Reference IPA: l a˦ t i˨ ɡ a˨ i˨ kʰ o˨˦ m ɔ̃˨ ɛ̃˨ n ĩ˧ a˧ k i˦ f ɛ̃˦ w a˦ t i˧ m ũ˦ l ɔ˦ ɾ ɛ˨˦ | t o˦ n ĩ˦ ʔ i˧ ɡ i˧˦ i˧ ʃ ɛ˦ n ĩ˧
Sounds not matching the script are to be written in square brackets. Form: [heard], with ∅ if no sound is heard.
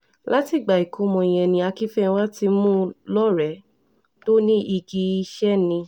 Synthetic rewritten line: l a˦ t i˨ [ɡ͡b] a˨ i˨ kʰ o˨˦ m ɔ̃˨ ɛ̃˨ n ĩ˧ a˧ k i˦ f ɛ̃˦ w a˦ t i˧ m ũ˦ l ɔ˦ ɾ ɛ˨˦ | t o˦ n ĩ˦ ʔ i˧ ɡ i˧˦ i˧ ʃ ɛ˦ n ĩ˧